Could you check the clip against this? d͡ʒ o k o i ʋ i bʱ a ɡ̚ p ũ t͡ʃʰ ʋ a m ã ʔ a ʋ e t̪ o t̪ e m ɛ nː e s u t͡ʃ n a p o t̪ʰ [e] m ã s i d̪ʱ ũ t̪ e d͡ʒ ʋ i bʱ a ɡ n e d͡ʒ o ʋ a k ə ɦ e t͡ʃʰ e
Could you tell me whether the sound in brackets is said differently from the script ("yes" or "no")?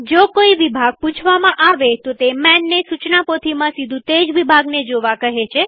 yes